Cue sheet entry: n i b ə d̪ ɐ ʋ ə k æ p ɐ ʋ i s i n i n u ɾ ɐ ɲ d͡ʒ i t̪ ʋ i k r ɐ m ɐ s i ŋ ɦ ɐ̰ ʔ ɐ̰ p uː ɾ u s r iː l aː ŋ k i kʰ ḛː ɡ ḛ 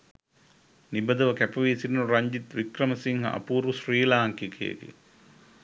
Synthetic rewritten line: n i b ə d̪ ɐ ʋ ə k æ p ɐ ʋ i s i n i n u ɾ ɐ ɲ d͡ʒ i t̪ ʋ i k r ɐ m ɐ s i ŋ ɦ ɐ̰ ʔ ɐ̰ p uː ɾ u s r iː l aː ŋ k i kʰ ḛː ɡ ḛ

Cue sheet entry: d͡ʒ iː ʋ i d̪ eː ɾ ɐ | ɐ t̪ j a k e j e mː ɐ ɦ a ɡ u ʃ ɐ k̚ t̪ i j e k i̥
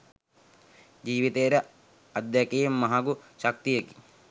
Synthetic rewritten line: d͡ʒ iː ʋ i t̪ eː ɾ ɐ | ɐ d̪ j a k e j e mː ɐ ɦ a ɡ u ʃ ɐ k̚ t̪ i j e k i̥

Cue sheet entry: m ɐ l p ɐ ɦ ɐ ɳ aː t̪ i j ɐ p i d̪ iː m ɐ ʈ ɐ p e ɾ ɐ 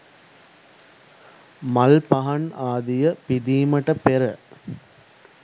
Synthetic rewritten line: m ɐ l p ɐ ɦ ɐ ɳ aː d̪ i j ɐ p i d̪ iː m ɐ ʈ ɐ p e ɾ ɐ

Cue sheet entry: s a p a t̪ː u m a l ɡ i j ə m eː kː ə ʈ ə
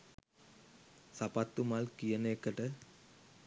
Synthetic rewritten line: s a p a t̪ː u m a l k i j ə n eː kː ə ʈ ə

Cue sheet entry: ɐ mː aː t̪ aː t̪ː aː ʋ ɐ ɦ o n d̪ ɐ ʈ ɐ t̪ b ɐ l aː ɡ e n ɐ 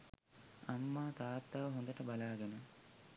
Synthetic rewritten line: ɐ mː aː t̪ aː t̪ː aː ʋ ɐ ɦ o n d̪ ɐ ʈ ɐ b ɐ l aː ɡ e n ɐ

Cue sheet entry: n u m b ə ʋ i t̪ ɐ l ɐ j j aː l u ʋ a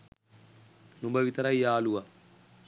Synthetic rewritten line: n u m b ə ʋ i t̪ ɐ ɾ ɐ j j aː l u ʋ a

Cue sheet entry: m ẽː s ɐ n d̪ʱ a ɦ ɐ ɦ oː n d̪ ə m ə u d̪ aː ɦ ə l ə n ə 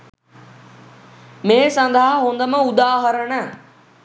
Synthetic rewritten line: m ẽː s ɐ n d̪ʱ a ɦ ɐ ɦ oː n d̪ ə m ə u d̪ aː ɦ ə ɾ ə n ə

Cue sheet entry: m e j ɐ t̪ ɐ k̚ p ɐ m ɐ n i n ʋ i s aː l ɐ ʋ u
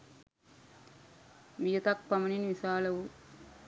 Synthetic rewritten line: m i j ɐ t̪ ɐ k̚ p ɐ m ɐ n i n ʋ i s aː l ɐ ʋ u

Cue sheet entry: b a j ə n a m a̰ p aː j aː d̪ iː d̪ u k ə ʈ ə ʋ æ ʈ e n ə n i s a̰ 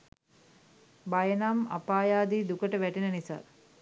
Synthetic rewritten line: b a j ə n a m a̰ p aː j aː d̪ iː d̪ u k ə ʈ ə ʋ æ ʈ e n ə n i s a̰

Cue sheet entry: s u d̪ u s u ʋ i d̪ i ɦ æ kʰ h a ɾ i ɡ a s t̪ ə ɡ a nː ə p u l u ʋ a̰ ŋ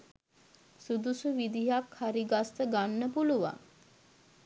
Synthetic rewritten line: s u d̪ u s u ʋ i d̪ i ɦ a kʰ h a ɾ i ɡ a s t̪ ə ɡ a nː ə p u l u ʋ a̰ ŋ

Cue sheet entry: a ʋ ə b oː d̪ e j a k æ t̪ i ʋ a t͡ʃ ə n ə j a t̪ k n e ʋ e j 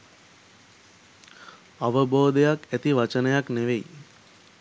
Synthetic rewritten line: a ʋ ə b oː d̪ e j a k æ t̪ i ʋ a t͡ʃ ə n ə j a k n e ʋ e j

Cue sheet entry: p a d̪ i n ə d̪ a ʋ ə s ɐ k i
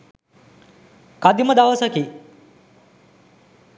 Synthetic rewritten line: k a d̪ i m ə d̪ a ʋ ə s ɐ k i

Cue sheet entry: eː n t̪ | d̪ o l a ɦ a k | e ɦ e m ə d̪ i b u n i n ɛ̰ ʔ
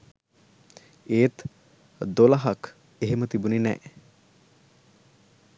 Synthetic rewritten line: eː t̪ | d̪ o l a ɦ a k | e ɦ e m ə t̪ i b u n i n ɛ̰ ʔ

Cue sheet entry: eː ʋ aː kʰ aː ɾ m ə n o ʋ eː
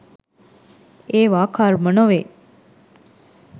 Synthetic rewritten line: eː ʋ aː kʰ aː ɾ m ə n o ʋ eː

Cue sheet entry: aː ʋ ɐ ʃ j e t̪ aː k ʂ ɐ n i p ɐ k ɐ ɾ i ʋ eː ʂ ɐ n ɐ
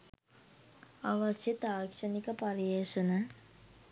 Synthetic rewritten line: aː ʋ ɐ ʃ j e t̪ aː k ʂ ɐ n i k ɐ p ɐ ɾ i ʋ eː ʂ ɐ n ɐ

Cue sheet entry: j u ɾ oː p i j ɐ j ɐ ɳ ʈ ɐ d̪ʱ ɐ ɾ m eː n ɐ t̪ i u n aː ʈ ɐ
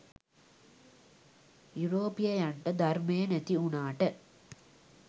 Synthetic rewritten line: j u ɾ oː p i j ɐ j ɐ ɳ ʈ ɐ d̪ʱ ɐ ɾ m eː n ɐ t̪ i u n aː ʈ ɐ

